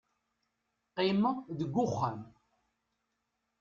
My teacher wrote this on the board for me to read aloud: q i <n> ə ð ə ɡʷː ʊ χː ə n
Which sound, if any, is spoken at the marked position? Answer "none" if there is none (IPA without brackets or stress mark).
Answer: m